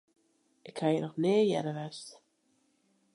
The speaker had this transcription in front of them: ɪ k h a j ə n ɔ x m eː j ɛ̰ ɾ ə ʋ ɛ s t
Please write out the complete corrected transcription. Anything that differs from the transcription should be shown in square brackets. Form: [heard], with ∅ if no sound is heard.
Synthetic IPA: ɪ k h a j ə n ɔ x [n] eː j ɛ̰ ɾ ə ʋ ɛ s t

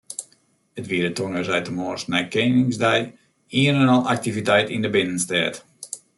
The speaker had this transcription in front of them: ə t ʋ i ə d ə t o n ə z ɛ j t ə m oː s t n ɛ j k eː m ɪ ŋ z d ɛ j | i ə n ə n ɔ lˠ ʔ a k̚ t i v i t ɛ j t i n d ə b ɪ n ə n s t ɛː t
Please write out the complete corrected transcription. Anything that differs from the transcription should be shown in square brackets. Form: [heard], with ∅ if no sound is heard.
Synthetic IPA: ə t ʋ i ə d ə t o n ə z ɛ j t ə m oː s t n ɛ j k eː [n] ɪ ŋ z d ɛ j | i ə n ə n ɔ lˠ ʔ a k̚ t i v i t ɛ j t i n d ə b ɪ n ə n s t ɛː t

